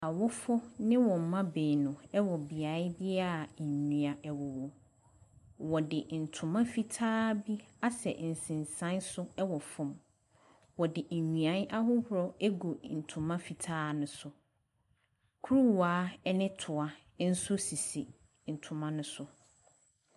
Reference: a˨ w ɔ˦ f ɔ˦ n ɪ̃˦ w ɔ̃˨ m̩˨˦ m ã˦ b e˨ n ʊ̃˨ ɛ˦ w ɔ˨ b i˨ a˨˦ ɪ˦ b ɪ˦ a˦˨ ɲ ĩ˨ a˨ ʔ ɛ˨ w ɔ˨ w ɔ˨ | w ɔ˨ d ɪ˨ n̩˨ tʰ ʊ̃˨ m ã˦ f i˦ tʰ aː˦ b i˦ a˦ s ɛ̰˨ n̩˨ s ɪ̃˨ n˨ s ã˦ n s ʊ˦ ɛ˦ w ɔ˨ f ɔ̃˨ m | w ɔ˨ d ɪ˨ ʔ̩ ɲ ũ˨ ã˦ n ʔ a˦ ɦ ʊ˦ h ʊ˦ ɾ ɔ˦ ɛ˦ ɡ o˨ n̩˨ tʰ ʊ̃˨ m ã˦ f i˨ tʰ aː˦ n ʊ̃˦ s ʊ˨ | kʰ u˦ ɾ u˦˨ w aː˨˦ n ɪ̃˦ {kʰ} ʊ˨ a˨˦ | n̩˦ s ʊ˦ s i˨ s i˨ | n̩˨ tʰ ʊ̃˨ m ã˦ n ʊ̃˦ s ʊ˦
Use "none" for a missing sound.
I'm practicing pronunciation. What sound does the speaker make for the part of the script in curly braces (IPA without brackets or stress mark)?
tʰ